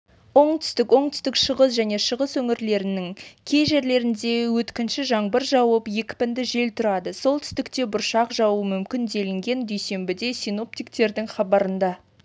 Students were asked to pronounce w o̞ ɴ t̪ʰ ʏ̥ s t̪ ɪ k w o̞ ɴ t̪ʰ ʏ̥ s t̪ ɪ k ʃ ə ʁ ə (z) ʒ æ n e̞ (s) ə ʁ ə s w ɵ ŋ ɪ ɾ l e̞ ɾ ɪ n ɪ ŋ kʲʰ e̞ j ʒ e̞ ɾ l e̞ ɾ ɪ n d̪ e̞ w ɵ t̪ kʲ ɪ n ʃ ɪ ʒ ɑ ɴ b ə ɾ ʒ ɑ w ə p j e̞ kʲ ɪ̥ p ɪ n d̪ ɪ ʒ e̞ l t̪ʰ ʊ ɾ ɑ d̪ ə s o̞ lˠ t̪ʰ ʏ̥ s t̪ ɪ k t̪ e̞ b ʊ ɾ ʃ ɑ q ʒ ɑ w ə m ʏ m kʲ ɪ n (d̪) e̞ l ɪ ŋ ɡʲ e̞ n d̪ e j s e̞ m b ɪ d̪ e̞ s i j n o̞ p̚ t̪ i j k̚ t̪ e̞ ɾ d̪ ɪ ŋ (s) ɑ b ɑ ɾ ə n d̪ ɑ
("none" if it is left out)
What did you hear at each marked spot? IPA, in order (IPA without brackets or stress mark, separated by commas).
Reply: s, ʃ, d̪, χ